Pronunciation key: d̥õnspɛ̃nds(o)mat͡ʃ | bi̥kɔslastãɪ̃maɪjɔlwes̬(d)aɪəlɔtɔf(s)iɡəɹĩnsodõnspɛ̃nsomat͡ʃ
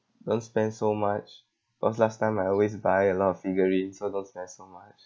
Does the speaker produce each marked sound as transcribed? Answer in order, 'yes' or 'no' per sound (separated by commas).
yes, no, no